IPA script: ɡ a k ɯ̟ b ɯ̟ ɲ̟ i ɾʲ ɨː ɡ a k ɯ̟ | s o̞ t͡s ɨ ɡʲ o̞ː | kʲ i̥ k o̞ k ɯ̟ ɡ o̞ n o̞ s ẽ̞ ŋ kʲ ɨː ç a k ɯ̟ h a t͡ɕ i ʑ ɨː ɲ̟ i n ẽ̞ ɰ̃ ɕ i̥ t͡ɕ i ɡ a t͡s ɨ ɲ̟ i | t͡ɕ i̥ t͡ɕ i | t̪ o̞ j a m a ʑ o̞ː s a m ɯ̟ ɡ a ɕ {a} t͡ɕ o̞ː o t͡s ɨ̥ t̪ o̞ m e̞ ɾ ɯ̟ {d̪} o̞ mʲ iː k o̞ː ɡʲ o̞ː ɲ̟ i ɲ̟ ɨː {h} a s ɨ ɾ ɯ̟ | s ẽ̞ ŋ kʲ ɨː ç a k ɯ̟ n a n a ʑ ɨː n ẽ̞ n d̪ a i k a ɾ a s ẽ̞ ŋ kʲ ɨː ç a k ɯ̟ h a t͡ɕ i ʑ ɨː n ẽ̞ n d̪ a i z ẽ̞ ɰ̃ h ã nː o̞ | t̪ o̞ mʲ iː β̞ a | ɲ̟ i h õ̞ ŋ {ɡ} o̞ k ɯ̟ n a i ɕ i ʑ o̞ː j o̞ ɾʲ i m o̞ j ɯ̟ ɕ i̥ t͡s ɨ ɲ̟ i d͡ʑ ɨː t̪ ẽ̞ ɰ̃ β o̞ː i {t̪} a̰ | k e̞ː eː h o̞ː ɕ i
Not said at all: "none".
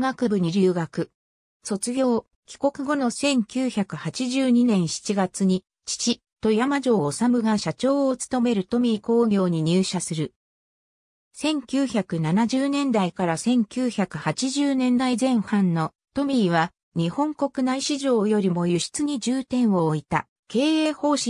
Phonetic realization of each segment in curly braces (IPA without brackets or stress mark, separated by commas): a, t̪, ɕ, k, t̪